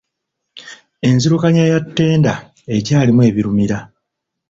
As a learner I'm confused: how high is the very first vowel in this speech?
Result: mid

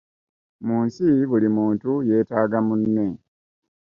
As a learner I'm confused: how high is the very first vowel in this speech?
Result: high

